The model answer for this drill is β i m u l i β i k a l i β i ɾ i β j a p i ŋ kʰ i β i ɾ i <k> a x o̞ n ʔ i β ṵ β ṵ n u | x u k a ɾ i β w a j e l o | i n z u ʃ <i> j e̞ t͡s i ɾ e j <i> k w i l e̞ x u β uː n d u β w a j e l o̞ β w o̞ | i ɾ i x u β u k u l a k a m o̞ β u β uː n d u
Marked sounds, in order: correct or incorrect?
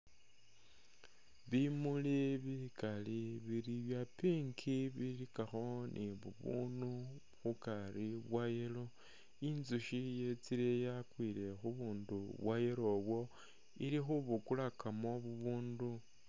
correct, correct, incorrect

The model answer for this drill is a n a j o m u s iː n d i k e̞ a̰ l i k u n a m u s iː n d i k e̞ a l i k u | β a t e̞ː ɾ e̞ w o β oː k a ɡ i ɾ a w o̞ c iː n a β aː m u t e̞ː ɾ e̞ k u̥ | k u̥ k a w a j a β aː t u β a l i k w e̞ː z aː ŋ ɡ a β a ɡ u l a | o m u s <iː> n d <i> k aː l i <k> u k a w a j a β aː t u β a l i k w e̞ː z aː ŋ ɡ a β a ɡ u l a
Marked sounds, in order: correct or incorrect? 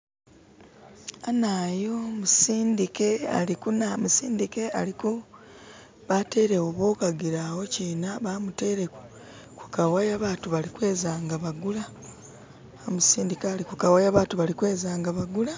correct, correct, correct

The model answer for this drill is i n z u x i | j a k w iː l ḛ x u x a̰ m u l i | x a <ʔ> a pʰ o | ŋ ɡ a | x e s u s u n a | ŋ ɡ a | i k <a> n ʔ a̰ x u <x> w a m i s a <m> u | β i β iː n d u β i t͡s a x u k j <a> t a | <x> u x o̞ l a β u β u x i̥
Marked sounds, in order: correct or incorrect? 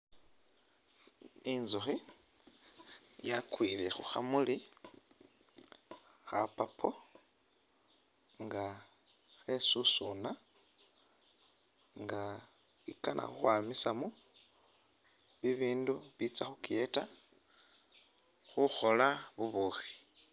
incorrect, correct, correct, correct, incorrect, correct

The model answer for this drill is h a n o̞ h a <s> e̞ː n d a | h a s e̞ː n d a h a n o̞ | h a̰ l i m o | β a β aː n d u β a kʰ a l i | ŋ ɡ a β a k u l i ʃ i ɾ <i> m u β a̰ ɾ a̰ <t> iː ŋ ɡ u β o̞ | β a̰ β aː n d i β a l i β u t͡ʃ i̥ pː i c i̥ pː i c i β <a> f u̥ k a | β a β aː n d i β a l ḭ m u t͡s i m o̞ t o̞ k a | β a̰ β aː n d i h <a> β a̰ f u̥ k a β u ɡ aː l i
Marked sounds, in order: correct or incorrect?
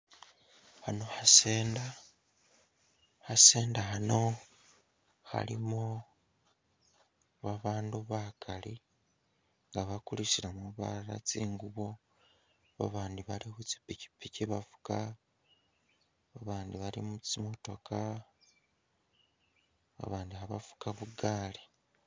correct, incorrect, incorrect, correct, correct

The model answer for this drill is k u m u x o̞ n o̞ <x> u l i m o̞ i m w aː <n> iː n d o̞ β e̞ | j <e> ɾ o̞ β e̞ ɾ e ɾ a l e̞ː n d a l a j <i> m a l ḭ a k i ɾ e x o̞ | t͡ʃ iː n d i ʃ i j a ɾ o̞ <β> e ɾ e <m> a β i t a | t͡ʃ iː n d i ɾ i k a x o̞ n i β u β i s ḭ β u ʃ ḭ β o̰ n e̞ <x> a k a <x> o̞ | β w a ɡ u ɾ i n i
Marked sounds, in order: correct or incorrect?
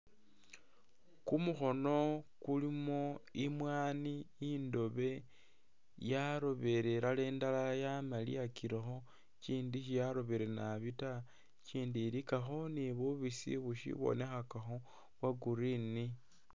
incorrect, correct, incorrect, incorrect, correct, incorrect, correct, correct

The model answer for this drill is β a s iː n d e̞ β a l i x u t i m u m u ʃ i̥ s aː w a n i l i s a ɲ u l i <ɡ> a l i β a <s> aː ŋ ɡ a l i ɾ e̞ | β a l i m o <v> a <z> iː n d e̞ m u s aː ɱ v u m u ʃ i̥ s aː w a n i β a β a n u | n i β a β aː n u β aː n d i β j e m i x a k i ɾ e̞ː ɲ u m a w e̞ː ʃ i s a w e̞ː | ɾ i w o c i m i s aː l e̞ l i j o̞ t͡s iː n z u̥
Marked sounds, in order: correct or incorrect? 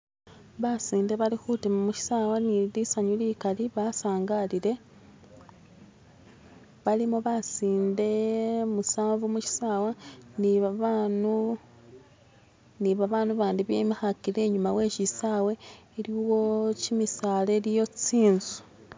incorrect, correct, incorrect, incorrect

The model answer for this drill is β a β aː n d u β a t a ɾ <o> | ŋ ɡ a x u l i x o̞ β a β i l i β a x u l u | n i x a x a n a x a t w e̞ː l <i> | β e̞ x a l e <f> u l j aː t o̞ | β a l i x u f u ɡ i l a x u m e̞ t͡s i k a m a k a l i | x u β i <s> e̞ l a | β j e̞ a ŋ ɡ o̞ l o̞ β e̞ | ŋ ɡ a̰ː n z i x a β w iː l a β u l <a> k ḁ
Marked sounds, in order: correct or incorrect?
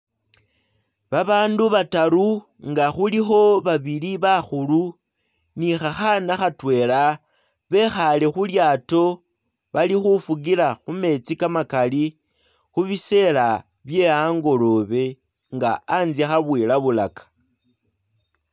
incorrect, incorrect, incorrect, correct, correct

